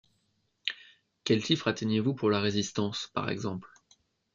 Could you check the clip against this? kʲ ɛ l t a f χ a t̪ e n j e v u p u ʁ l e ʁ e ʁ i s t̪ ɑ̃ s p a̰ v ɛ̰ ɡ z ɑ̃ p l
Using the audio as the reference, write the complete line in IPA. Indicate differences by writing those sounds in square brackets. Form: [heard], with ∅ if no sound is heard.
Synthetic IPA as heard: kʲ ɛ l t [i] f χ a t̪ e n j e v u p u ʁ l [a] ʁ e [z] i s t̪ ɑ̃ s p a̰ [ʁ] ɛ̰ ɡ z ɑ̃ p l

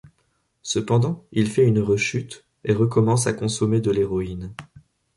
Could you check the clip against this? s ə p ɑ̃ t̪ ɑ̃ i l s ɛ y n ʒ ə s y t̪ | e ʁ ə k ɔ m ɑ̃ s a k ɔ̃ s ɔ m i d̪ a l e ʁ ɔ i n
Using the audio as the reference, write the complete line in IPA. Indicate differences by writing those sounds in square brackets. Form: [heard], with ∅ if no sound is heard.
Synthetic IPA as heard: s ə p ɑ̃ [d̪] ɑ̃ i l [f] ɛ y n [ʁ] ə [ʃ] y t̪ | e ʁ ə k ɔ m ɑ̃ s a k ɔ̃ s ɔ m [e] d̪ [ə] l e ʁ ɔ i n

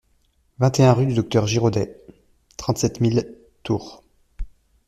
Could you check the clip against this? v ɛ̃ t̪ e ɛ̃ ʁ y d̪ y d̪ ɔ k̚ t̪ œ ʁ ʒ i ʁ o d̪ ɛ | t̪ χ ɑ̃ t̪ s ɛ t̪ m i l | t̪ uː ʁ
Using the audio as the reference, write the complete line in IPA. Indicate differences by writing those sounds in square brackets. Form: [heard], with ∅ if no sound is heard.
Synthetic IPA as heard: v ɛ̃ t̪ e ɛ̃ ʁ y d̪ y d̪ ɔ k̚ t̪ œ ʁ ʒ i ʁ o d̪ ɛ | t̪ χ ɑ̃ t̪ s ɛ t̪ m i l | t̪ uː ʁ

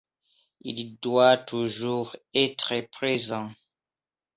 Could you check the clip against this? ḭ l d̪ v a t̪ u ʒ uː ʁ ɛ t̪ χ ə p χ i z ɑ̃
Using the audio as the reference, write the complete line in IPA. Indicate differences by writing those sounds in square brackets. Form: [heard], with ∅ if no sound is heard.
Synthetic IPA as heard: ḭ l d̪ [w] a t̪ u ʒ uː ʁ ɛ t̪ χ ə p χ [e] z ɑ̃

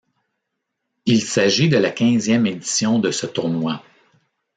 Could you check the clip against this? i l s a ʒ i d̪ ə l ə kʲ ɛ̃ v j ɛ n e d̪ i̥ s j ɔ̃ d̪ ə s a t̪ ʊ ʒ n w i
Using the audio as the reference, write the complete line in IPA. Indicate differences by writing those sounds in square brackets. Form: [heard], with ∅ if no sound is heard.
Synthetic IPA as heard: i l s a ʒ i d̪ ə l [a] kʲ ɛ̃ [z] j ɛ [m] e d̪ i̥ s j ɔ̃ d̪ ə s [ə] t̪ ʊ [ʁ] n w [a]

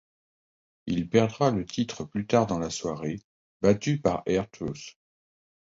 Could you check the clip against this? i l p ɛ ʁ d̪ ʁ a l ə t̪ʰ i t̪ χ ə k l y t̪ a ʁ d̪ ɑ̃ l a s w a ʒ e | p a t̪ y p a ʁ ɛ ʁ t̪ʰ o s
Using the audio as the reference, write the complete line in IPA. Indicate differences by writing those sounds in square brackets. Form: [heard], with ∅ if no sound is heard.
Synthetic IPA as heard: i l p ɛ ʁ d̪ ʁ a l ə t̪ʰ i t̪ χ ə [p] l y t̪ a ʁ d̪ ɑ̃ l a s w a [ʁ] e | [b] a t̪ y p a ʁ ɛ ʁ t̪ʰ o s

